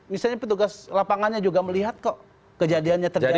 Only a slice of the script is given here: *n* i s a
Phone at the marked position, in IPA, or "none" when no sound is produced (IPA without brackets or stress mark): m